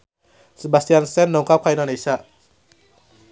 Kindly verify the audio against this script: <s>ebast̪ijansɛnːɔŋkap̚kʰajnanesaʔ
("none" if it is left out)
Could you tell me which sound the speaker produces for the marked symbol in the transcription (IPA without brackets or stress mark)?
s